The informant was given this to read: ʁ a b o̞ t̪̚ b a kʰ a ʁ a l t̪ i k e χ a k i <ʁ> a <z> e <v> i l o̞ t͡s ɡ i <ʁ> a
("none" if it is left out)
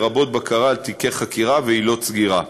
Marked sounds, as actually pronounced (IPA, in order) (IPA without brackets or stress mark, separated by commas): ʁ, v, none, ʁ